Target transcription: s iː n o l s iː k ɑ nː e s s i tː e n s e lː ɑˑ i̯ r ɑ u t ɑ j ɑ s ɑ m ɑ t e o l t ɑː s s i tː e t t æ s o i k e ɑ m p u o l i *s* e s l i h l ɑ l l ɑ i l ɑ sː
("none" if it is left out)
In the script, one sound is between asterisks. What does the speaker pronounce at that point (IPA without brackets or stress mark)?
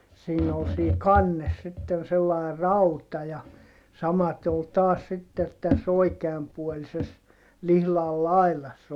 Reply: s